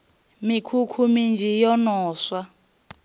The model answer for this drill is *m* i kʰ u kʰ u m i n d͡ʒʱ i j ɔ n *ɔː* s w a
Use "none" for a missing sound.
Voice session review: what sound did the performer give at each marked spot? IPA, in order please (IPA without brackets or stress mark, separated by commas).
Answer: m, ɔː